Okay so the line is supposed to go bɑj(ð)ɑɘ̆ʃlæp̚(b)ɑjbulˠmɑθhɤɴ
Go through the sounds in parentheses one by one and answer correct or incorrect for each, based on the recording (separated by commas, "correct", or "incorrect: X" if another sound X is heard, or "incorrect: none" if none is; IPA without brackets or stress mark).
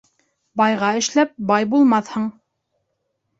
incorrect: ʁ, correct